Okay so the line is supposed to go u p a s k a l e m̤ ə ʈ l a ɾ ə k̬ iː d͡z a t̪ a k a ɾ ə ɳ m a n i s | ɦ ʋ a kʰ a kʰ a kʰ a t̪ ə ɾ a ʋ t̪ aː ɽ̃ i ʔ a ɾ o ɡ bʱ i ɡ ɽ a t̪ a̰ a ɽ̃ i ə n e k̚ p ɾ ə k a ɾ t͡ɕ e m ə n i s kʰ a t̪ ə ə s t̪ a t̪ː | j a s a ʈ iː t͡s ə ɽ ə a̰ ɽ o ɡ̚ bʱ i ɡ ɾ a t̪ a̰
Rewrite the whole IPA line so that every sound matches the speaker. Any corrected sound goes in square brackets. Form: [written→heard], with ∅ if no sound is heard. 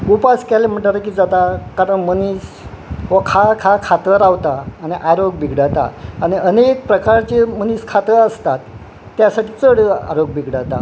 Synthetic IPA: u p a s k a l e m̤ ə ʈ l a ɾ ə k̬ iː d͡z a t̪ a k a ɾ ə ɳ m [a→ə] n i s | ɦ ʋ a kʰ a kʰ a kʰ a t̪ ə ɾ a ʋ t̪ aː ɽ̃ i ʔ a ɾ o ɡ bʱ i ɡ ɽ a t̪ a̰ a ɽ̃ i ə n e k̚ p ɾ ə k a ɾ t͡ɕ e m ə n i s kʰ a t̪ ə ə s t̪ a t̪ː | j a s a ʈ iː t͡s ə ɽ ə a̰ [ɽ→ɾ] o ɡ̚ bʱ i ɡ [ɾ→ɽ] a t̪ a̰